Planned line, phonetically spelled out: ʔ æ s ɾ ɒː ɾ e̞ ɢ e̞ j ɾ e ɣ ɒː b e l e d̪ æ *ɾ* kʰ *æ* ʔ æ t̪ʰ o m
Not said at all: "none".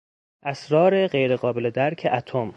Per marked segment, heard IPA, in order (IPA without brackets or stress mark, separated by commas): ɾ, e